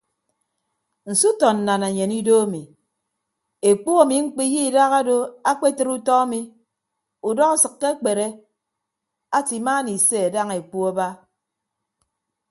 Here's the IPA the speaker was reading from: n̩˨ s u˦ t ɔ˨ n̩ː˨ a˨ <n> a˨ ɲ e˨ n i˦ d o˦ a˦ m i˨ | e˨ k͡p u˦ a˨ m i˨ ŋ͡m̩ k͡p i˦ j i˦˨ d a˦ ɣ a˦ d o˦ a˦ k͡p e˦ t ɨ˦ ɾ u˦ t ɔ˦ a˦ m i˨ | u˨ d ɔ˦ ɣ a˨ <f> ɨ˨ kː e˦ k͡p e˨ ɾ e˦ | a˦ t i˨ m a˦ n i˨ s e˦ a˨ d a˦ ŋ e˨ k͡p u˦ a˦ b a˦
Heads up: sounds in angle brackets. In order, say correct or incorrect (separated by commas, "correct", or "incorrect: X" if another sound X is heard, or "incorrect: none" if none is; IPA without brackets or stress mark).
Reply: correct, incorrect: s